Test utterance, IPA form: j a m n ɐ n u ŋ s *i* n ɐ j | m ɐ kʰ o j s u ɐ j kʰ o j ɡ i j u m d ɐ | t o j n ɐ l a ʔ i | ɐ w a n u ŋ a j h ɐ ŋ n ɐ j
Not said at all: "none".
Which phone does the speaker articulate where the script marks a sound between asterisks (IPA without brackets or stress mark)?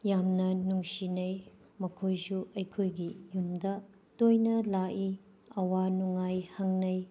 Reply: i